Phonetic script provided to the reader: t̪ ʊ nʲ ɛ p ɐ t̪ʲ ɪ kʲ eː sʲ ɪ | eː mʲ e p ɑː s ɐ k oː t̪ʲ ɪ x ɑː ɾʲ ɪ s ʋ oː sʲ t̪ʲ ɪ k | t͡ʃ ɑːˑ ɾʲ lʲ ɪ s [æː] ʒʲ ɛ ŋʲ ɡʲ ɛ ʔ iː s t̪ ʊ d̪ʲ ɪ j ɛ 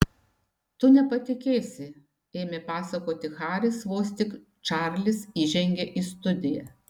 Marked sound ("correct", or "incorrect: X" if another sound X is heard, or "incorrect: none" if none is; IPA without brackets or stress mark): incorrect: iː